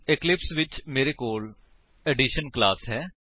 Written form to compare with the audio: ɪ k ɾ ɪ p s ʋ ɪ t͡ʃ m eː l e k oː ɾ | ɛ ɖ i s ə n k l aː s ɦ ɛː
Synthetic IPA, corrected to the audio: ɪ k l ɪ p s ʋ ɪ t͡ʃ m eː ɾ e k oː l | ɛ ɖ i ʃ ə n k l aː s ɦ ɛː